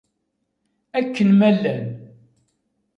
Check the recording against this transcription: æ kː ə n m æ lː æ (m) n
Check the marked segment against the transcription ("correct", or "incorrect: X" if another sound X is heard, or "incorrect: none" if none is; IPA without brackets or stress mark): incorrect: none